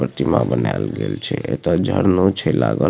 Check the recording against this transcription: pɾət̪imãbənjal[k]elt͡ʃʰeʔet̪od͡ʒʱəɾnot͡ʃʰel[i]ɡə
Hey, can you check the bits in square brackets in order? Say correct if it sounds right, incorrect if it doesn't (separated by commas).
incorrect, incorrect